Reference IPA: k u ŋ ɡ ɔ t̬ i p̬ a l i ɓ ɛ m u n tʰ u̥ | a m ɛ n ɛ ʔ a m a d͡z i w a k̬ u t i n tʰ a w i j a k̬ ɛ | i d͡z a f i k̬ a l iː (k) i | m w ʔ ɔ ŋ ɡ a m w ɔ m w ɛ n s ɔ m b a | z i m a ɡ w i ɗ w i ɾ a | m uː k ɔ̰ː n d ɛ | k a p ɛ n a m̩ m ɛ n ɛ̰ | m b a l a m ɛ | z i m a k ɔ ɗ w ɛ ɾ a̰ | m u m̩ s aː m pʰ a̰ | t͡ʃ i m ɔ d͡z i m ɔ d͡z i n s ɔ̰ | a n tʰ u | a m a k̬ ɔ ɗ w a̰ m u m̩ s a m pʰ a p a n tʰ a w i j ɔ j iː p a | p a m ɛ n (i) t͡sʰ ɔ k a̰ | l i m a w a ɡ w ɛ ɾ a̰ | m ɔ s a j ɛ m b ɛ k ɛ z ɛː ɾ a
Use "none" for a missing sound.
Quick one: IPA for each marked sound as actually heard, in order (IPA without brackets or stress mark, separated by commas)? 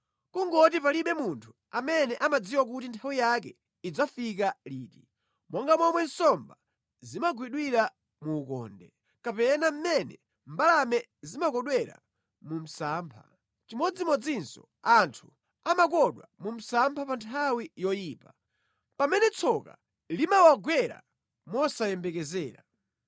t, ɛ